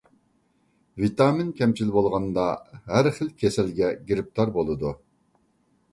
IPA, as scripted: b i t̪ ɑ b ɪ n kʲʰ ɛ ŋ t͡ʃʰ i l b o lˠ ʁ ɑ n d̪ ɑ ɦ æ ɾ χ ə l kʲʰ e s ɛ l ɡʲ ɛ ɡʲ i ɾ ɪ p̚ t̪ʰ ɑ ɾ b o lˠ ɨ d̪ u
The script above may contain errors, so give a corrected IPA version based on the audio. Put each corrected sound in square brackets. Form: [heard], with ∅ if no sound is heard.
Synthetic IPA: [v] i t̪ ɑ [m] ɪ n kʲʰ ɛ [m] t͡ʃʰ i l b o lˠ ʁ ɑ n d̪ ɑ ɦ æ ɾ χ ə l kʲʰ e s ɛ l ɡʲ ɛ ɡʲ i ɾ ɪ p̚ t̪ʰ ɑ ɾ b o lˠ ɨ d̪ u